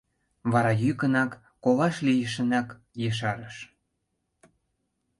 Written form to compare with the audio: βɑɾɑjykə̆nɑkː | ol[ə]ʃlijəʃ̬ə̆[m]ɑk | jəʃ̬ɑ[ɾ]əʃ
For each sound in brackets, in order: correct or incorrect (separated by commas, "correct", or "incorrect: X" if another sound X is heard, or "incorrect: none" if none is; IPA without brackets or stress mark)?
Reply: incorrect: ɑ, incorrect: n, correct